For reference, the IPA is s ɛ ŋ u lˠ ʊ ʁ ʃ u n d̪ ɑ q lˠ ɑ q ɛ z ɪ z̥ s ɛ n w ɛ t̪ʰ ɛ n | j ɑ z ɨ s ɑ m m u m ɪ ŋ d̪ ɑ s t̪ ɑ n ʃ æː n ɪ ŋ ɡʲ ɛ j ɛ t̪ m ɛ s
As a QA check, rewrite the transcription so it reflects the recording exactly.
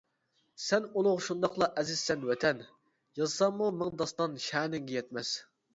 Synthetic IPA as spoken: s ɛ n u lˠ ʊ ʁ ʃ u n d̪ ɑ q lˠ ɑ ʔ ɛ z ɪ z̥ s ɛ n w ɛ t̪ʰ ɛ n | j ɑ z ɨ s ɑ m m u m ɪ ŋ d̪ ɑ s t̪ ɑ n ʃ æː n ɪ ŋ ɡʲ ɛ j ɛ t̪ m ɛ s